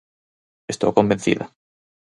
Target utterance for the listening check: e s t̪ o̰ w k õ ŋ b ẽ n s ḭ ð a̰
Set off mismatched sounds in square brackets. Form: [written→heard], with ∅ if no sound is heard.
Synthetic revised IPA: e s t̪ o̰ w k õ [ŋ→m] b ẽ n [s→θ] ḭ ð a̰